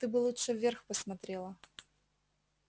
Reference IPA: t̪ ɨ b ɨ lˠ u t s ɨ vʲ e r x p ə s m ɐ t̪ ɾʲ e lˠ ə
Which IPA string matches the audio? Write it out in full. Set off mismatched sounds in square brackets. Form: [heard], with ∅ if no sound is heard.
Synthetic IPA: t̪ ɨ b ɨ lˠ u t [ʂ] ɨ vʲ e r x p ə s m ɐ t̪ ɾʲ e lˠ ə